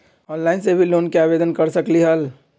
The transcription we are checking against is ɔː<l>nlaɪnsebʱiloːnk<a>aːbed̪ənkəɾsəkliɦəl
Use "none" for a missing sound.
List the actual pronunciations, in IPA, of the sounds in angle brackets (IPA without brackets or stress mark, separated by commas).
none, e